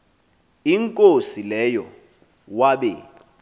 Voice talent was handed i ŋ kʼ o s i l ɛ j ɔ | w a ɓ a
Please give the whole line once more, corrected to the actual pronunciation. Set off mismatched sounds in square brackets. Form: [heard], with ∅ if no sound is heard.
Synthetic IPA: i ŋ kʼ o s i l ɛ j ɔ | w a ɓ [ɛ]